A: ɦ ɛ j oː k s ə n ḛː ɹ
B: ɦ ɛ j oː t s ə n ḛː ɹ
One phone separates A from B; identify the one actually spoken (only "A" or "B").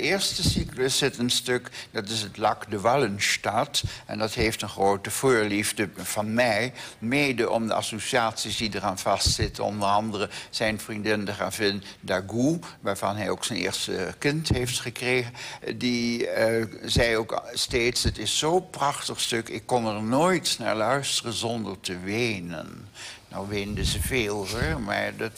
A